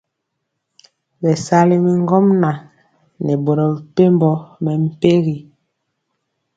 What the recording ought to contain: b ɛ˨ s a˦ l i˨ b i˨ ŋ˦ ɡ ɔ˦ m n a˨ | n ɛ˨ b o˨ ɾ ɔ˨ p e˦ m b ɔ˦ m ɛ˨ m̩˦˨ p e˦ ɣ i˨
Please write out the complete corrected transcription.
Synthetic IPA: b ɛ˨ s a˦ l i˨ m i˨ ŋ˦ ɡ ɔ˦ m n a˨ | n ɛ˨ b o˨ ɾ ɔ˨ p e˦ m b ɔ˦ m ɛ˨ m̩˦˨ p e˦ ɣ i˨